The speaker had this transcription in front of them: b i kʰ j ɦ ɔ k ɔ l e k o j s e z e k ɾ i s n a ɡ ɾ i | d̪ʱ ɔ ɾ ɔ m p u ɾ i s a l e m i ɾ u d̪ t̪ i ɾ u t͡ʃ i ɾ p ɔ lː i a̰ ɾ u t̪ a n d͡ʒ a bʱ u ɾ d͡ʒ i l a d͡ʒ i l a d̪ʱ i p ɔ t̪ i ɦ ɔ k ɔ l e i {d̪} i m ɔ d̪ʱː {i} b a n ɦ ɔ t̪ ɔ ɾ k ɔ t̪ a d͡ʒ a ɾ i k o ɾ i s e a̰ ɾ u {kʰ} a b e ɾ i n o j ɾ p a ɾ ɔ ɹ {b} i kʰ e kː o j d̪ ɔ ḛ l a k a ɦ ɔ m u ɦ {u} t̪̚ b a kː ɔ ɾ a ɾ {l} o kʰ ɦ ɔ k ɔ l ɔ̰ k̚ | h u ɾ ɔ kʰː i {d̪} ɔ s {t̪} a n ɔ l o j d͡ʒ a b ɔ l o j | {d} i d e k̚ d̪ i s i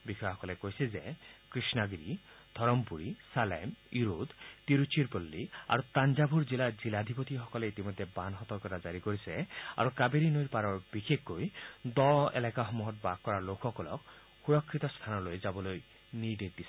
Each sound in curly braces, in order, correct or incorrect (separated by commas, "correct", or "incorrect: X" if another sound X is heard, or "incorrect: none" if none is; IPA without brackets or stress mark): incorrect: t̪, incorrect: e, incorrect: k, correct, incorrect: ɔ, correct, incorrect: t̪, incorrect: t̪ʰ, incorrect: n